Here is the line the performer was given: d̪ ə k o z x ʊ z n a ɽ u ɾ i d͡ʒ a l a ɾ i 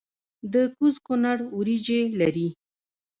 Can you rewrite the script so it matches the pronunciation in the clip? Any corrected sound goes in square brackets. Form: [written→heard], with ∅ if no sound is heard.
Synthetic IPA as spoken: d̪ ə k [o→u] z [x→k] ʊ [z→∅] n a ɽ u ɾ i d͡ʒ [a→e] l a ɾ i

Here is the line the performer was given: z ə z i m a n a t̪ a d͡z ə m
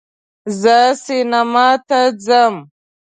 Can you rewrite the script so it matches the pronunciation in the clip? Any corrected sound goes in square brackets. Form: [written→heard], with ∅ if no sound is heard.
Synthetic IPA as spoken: z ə [z→s] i [m→n] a [n→m] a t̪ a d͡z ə m

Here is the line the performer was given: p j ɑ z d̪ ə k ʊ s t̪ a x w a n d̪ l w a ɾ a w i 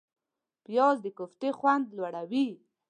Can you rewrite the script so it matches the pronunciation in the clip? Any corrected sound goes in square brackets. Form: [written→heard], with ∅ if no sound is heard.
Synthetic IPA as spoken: p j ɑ z d̪ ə k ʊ [s→f] t̪ [a→e] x w a n d̪ l w a [ɾ→ɽ] a w i

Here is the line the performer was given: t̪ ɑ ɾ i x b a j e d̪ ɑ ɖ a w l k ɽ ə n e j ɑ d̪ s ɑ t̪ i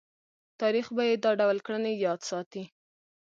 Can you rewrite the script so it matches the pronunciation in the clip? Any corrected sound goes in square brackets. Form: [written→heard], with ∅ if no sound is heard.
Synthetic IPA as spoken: t̪ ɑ ɾ i x b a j e d̪ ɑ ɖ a w l k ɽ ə n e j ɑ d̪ s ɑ t̪ i

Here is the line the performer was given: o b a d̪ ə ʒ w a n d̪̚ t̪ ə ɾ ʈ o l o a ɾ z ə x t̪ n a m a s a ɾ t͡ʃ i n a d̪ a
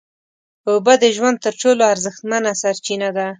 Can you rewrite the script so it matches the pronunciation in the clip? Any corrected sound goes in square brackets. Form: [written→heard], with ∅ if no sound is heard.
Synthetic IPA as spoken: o b a d̪ ə ʒ w a n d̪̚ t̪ ə ɾ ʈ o l o a ɾ z ə x t̪ [n→m] a [m→n] a s a ɾ t͡ʃ i n a d̪ a

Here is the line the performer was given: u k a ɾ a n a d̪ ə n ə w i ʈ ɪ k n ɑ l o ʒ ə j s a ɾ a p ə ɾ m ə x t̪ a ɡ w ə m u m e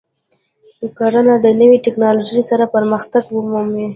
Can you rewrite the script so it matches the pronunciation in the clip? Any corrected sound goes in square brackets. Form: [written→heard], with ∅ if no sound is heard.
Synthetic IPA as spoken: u k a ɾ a n a d̪ ə n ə w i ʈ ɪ k n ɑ l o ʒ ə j s a ɾ a p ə ɾ m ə x t̪ a ɡ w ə m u m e

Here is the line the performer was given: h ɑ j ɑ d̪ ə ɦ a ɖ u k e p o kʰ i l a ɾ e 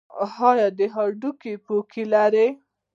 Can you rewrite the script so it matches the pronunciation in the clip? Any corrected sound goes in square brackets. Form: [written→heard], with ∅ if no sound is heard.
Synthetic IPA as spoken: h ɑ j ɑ d̪ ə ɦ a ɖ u k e p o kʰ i l a ɾ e

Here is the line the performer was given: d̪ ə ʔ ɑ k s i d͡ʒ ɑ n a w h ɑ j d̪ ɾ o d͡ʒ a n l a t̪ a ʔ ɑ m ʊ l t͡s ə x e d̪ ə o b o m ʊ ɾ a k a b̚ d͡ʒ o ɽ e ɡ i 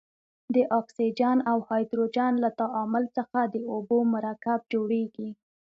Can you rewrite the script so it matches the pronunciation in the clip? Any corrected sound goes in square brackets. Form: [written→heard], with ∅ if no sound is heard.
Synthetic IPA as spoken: d̪ ə ʔ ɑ k s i d͡ʒ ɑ n a w h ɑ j d̪ ɾ o d͡ʒ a n l a t̪ a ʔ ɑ m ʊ l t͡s ə x [e→a] d̪ ə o b o m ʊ ɾ a k a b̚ d͡ʒ o ɽ e ɡ i

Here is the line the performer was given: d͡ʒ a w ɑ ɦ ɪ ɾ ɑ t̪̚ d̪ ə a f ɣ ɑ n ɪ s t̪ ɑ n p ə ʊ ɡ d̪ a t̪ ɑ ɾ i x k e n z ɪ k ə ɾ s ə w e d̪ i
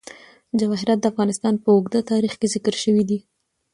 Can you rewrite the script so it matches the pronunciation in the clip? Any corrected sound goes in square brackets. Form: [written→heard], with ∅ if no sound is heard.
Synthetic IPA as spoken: d͡ʒ a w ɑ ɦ ɪ ɾ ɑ t̪̚ d̪ ə a f ɣ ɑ n ɪ s t̪ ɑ n p ə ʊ ɡ d̪ a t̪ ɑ ɾ i x k e [n→∅] z ɪ k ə ɾ [s→ʃ] ə w [e→i] d̪ i

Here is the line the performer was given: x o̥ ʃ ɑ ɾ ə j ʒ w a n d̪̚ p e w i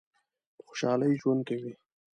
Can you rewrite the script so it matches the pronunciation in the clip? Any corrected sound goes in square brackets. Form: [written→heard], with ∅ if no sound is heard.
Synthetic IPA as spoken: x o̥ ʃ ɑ [ɾ→l] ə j ʒ w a n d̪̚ [p→k] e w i

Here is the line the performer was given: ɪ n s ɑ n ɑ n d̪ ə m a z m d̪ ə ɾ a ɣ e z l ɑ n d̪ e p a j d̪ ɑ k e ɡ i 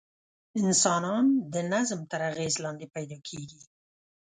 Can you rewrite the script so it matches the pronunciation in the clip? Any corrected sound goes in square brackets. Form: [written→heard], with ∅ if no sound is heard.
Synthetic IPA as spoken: ɪ n s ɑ n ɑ n d̪ ə [m→n] a z m [d̪→t̪] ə ɾ a ɣ e z l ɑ n d̪ e p a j d̪ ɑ [k→kʰ] e ɡ i

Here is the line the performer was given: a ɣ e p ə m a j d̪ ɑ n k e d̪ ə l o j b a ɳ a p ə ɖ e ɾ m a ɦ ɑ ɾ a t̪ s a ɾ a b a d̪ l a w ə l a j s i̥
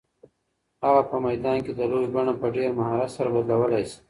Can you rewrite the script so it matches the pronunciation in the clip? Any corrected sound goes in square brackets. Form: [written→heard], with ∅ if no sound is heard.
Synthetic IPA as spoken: a ɣ [e→a] p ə m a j d̪ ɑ n k e d̪ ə l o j b a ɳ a p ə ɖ e ɾ m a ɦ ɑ ɾ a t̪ s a ɾ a b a d̪ l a w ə l a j s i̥

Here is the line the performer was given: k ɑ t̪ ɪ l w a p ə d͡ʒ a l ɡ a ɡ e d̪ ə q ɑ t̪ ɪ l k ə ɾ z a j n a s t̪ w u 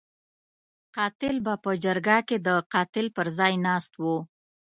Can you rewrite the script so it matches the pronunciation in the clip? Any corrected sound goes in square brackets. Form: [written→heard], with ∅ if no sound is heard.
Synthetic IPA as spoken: [k→q] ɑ t̪ ɪ l [w→b] a p ə d͡ʒ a [l→ɾ] ɡ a [ɡ→k] e d̪ ə q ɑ t̪ ɪ l [k→p] ə ɾ z [a→ɑ] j n [a→ɑ] s t̪ w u

